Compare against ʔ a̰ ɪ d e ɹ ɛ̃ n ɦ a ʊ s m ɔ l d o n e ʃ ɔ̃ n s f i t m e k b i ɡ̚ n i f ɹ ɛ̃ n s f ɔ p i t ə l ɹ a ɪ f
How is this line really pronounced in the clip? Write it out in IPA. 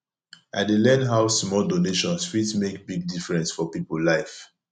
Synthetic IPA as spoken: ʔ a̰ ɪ d e l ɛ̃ n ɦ a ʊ s m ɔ l d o n e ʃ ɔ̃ n s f i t m e k b i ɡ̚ d i f ɹ ɛ̃ n s f ɔ p i p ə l l a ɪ f

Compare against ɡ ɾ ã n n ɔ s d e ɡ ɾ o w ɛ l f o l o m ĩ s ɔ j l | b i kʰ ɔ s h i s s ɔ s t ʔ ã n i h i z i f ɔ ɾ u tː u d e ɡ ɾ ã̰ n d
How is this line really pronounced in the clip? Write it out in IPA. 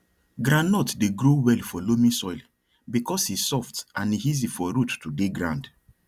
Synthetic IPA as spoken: ɡ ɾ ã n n ɔ t d e ɡ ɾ o w ɛ l f ɔ l o m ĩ s ɔ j l | b i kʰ ɔ s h i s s ɔ f t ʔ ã n i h i z i f ɔ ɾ u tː u d e ɡ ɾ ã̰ n d

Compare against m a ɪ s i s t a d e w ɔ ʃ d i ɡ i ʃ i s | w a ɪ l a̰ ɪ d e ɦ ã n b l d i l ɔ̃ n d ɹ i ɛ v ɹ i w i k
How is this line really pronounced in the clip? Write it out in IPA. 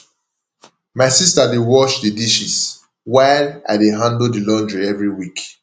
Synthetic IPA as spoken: m a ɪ s i s t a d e w ɔ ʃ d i d i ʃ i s | w a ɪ l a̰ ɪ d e ɦ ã n d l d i l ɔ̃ n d ɹ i ɛ v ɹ i w i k

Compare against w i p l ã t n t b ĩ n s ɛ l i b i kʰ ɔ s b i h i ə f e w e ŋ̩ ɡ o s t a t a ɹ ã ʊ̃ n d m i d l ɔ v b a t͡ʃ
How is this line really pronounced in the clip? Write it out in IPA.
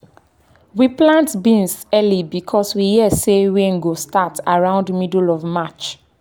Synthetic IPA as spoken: w i p l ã n t b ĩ n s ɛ l i b i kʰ ɔ s w i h i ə s e w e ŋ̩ ɡ o s t a t a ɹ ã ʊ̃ n d m i d l ɔ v m a t͡ʃ

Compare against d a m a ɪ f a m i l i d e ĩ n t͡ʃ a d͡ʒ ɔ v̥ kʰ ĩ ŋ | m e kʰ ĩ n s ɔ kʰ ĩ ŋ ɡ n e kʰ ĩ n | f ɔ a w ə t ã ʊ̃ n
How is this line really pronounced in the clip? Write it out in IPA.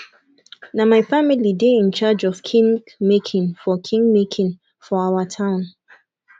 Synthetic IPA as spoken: n a m a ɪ f a m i l i d e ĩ n t͡ʃ a d͡ʒ ɔ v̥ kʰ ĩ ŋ | m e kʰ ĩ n f ɔ kʰ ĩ ŋ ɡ m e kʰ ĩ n | f ɔ a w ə tʰ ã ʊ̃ n

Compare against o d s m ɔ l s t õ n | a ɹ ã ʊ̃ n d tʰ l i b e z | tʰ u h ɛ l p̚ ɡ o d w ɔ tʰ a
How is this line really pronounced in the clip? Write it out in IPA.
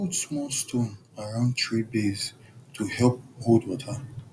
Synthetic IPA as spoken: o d s m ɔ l s t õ n | a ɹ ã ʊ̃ n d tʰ ɹ i b e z | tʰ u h ɛ l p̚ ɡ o d w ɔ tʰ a

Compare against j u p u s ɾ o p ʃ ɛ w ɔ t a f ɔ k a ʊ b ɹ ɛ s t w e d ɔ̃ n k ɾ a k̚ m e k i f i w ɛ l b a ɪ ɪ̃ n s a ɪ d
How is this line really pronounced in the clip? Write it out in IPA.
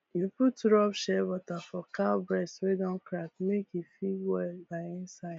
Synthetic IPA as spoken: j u p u t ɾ ɔ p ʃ ɛ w ɔ t a f ɔ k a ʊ b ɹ ɛ s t w e d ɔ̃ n k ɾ a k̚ m e k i f i w ɛ l b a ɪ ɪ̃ n s a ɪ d

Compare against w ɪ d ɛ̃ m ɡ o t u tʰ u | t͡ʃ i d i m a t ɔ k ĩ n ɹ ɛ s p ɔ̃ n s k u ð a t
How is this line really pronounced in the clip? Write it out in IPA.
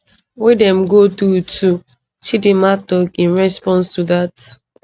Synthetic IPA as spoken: w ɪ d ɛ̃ m ɡ o t u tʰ u | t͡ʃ i d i m a t ɔ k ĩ n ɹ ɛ s p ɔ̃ n s t u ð a t

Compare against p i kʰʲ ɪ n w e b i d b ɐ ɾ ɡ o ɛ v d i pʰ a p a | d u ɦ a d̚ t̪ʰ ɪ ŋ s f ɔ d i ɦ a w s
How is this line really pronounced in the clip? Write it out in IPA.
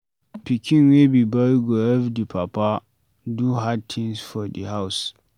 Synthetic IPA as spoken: p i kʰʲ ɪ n w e b i b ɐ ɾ ɡ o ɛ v d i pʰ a p a | d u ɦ a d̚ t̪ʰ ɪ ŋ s f ɔ d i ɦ a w s

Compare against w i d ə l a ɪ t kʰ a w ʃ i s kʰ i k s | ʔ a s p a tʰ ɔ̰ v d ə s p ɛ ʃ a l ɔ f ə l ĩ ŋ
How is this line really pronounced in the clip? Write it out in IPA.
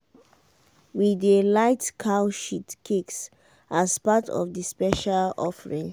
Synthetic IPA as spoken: w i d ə l a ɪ t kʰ a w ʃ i t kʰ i k s | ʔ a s p a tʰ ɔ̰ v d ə s p ɛ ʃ a l ɔ f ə ɹ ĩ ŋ

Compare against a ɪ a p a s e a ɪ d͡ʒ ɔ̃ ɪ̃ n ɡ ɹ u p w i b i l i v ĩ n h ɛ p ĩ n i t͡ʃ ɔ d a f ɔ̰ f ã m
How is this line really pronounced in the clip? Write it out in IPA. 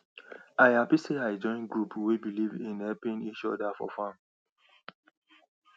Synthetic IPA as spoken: a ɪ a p i s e a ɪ d͡ʒ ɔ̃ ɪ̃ n ɡ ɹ u p w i b i l i v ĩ n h ɛ p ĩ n i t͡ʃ ɔ d a f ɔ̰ f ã m

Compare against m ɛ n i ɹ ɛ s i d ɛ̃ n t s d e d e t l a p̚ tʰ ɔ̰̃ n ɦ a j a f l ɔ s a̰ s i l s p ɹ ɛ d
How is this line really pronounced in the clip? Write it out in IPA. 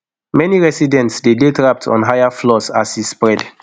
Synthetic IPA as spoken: m ɛ n i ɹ ɛ s i d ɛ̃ n t s d e d e t ɹ a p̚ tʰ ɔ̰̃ n ɦ a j a f l ɔ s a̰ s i s p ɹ ɛ d

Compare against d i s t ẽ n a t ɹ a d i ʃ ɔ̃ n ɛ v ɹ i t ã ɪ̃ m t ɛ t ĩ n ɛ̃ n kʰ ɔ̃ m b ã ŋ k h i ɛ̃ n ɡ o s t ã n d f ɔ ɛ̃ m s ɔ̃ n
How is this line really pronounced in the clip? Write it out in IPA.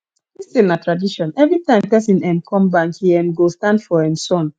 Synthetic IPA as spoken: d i s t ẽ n a t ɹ a d i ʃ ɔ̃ n ɛ v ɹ i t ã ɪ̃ m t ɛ s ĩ n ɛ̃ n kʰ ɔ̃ m b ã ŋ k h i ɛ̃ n ɡ o s t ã n d f ɔ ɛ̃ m s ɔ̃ n

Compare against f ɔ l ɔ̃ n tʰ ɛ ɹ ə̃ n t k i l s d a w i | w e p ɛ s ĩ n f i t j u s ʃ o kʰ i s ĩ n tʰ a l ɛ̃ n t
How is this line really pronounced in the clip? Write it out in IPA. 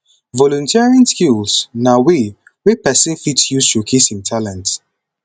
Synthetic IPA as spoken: v ɔ l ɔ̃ n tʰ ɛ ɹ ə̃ n s k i l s n a w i | w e p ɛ s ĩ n f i t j u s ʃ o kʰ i s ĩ n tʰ a l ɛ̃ n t

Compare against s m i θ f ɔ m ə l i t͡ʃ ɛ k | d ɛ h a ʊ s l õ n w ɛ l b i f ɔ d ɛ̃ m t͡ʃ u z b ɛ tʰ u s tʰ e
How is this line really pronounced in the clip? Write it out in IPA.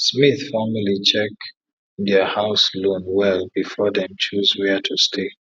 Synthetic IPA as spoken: s m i θ f ɔ m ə l i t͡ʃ ɛ k | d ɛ h a ʊ s l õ n w ɛ l b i f ɔ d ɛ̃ m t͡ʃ u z w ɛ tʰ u s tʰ e

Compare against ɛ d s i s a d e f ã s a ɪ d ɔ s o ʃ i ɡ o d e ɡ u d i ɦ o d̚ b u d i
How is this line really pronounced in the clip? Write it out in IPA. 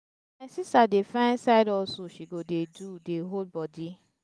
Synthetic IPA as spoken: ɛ s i s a d e f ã s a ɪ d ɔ s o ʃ i ɡ o d e d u d e ɦ o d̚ b ɔ d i

